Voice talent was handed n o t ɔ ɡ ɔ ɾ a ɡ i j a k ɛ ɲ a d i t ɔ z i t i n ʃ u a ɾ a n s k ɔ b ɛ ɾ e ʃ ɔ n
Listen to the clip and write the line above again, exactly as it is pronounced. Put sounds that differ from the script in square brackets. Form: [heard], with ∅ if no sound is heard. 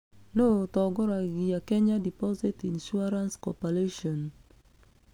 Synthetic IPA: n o t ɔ ɡ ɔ ɾ a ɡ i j a k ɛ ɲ a d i [p] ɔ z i t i n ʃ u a ɾ a n s k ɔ [p] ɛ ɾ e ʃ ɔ n